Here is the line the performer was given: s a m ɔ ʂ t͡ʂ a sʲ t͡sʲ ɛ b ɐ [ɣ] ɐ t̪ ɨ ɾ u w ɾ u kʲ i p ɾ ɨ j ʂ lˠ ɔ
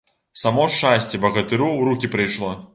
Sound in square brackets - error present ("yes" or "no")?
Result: no